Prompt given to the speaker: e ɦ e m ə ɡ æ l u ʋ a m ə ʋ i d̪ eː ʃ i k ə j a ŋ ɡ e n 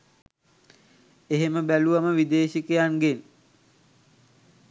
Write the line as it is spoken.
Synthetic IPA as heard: e ɦ e m ə b æ l u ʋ a m ə ʋ i d̪ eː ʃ i k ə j a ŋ ɡ e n